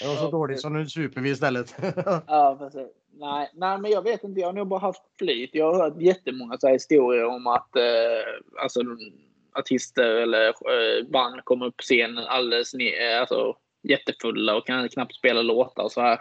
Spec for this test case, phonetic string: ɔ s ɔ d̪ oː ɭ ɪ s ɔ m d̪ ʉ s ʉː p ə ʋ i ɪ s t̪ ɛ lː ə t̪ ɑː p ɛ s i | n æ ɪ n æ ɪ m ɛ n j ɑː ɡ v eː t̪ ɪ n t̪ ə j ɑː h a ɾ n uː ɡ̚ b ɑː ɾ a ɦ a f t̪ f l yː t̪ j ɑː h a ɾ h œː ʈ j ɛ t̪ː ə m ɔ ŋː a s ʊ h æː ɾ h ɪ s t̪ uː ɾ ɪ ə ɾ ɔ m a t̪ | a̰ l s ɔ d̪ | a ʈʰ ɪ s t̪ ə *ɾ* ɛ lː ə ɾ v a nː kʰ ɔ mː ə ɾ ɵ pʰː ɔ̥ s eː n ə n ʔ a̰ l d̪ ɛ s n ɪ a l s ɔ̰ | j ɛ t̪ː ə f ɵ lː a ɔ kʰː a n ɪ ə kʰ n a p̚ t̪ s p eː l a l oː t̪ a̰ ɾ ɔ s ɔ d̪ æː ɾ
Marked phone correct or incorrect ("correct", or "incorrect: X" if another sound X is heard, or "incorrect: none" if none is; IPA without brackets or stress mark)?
correct